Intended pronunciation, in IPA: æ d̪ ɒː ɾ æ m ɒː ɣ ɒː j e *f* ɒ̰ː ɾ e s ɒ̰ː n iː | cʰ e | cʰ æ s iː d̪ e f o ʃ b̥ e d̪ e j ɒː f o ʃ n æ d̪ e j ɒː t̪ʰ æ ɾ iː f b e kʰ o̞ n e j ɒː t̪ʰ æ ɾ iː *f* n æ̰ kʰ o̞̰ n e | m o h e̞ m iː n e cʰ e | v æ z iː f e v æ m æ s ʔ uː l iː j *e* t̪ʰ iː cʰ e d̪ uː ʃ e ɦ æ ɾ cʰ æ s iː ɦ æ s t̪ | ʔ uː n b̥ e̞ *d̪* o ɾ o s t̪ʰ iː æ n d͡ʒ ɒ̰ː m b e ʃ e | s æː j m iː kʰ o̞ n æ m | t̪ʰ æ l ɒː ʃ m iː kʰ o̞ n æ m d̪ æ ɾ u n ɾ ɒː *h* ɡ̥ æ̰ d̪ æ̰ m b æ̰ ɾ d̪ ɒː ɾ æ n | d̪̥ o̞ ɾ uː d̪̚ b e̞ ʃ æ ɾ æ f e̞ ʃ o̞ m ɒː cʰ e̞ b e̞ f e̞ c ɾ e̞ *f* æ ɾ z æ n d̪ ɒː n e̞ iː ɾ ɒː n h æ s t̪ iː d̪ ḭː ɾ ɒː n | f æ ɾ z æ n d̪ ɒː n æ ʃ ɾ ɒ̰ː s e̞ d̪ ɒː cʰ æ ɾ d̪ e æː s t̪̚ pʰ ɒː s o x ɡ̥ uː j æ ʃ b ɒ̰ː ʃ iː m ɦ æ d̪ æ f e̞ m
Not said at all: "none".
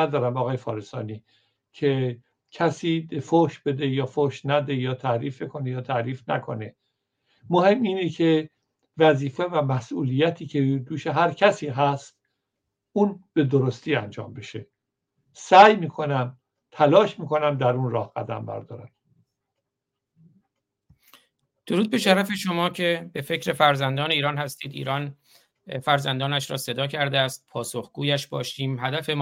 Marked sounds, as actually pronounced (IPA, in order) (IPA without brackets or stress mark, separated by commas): f, f, æ, d̪, h, f